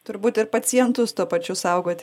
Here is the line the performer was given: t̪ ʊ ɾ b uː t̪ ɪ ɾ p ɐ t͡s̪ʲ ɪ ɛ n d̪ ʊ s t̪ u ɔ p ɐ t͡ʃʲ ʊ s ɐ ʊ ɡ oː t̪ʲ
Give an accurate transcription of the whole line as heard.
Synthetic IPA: t̪ ʊ ɾ b uː t̪ ɪ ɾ p ɐ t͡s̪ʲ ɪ ɛ n t̪ ʊ s t̪ u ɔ p ɐ t͡ʃʲ ʊ s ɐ ʊ ɡ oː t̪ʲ